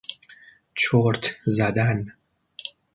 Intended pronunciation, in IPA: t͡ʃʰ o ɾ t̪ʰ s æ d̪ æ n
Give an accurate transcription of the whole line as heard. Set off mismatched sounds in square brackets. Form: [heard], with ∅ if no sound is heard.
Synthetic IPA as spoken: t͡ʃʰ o ɾ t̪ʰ [z] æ d̪ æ n